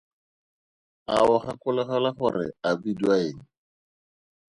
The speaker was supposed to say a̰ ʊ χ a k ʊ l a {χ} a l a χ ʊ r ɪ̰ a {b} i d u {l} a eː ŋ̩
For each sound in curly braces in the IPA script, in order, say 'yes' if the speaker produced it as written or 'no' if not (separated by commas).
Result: yes, yes, no